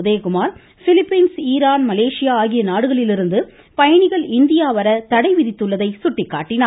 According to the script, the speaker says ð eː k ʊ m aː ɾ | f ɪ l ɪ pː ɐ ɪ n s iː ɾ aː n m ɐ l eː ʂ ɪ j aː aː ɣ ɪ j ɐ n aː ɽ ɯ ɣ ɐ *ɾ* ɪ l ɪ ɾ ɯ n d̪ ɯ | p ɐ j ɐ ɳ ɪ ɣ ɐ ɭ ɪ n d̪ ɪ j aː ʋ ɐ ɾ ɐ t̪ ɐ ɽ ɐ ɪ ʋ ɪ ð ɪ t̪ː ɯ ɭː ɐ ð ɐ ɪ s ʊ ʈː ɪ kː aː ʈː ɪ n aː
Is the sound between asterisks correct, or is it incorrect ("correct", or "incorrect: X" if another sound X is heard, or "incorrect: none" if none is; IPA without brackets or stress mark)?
incorrect: ɭ